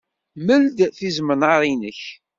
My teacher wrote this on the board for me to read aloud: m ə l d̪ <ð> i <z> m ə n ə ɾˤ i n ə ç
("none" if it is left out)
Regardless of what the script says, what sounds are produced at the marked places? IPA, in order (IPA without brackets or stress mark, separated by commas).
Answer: θ, z